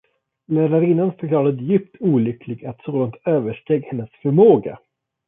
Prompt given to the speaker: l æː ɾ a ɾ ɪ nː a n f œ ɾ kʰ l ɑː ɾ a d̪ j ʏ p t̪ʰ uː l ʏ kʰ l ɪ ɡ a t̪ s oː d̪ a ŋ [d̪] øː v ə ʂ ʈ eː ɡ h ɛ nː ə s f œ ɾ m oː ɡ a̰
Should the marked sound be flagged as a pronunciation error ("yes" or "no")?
yes